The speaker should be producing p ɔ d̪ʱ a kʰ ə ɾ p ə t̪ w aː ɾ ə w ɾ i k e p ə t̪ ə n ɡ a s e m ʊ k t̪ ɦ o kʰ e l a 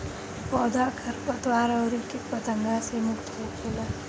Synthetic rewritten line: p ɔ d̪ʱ a kʰ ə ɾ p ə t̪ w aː ɾ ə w ɾ i k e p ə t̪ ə ŋ ɡ a s e m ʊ k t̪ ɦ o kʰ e l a